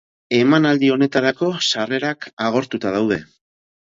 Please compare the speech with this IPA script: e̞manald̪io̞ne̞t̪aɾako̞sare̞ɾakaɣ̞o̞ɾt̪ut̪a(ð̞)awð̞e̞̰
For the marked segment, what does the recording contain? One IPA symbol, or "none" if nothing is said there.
ð̞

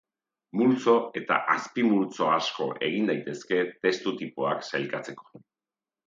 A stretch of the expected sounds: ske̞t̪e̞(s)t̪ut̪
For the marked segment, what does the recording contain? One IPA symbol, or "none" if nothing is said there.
s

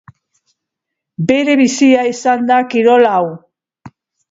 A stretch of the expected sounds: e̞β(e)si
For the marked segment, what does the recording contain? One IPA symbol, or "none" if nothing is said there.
i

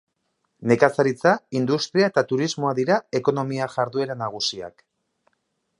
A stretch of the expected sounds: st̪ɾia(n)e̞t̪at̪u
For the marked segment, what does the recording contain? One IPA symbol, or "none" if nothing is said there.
none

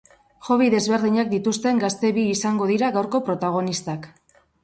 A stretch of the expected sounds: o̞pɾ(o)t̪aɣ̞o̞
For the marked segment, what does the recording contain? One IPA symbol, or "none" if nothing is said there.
o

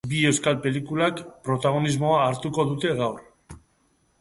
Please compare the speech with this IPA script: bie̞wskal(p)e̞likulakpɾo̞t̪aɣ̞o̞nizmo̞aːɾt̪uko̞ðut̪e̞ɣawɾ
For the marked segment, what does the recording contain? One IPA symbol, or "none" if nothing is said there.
p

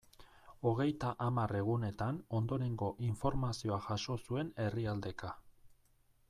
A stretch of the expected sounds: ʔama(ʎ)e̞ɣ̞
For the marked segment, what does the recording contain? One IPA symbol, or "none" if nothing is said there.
r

